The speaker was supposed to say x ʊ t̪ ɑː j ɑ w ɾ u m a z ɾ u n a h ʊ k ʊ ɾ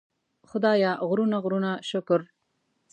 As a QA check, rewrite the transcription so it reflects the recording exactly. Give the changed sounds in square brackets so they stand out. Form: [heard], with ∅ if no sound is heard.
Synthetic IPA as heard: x ʊ [d̪] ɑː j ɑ [ɣ] ɾ u [n] a [ɣ] ɾ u n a [ʃ] ʊ k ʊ ɾ

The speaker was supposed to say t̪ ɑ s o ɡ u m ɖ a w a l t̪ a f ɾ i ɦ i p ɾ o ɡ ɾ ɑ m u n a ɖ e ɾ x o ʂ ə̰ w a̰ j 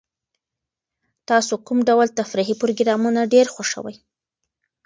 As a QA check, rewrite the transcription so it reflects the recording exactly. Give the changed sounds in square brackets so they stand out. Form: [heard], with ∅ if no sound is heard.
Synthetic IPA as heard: t̪ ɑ s o [k] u m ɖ a w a l t̪ a f ɾ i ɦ i p ɾ o ɡ ɾ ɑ m u n a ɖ e ɾ x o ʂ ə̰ w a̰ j

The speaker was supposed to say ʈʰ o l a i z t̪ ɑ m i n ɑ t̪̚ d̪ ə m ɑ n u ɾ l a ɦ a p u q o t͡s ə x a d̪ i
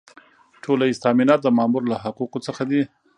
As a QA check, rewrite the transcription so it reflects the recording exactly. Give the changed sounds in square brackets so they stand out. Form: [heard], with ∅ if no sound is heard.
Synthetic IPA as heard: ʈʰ o l a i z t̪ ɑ m i n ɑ t̪̚ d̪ ə m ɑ [m] u ɾ l a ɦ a [q] u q o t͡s ə x a d̪ i

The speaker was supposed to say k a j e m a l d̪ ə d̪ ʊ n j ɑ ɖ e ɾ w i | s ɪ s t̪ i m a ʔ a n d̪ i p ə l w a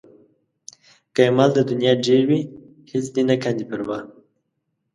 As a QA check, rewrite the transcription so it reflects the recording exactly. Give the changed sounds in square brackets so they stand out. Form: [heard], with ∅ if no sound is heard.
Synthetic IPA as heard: k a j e m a l d̪ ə d̪ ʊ n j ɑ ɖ e ɾ w i | [h] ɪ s [d̪] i [n] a [k] a n d̪ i p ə [ɾ] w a

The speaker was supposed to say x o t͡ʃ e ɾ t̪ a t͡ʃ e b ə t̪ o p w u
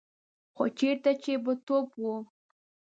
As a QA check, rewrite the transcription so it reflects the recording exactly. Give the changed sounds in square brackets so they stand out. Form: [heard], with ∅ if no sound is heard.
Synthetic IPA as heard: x o t͡ʃ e ɾ t̪ a t͡ʃ e b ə t̪ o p w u

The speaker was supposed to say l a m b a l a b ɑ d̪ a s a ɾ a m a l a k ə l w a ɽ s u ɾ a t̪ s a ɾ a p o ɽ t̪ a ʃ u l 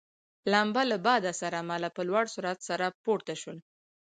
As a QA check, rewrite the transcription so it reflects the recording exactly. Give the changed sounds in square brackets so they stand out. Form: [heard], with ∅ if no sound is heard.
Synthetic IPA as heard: l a m b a l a b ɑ d̪ a s a ɾ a m a l a [p] ə l w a ɽ s u ɾ a t̪ s a ɾ a p o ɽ t̪ a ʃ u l

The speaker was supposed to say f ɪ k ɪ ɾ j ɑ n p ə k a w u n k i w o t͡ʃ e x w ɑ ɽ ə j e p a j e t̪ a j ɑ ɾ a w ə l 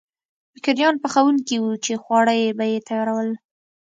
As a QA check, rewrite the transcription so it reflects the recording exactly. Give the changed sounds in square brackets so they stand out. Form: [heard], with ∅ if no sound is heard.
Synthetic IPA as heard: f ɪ k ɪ ɾ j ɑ n p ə [x] a w u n k i w [u] t͡ʃ e x w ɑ ɽ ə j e [b] a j e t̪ a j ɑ ɾ a w ə l

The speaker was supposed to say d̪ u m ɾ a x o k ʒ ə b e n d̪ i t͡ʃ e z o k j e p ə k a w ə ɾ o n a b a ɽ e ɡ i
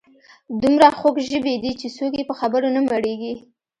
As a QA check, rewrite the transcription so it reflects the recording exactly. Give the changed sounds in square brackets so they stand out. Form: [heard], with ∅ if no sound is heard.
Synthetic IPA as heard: d̪ u m ɾ a x o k ʒ ə b e [∅] d̪ i t͡ʃ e [s] o k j e p ə [x] a [b] ə ɾ o n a [m] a ɽ e ɡ i

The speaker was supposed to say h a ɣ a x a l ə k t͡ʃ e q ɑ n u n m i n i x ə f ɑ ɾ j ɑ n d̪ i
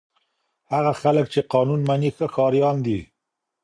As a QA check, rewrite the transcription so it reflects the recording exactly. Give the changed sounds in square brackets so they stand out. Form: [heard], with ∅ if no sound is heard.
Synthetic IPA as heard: h a ɣ a x a l ə k t͡ʃ e q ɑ n u n m [a] n i x ə [x] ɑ ɾ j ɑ n d̪ i

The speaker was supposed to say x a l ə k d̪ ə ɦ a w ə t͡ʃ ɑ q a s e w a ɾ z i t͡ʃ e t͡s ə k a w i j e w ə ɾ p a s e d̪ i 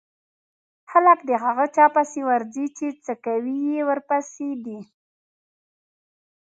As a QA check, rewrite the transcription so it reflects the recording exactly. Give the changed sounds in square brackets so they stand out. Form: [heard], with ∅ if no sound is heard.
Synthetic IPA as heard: x a l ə k d̪ ə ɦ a [ɣ] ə t͡ʃ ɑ [p] a s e w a ɾ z i t͡ʃ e t͡s ə k a w i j e w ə ɾ p a s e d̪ i

